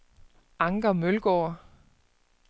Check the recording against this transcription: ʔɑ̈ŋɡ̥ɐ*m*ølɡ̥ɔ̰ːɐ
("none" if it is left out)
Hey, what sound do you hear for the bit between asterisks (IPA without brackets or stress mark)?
m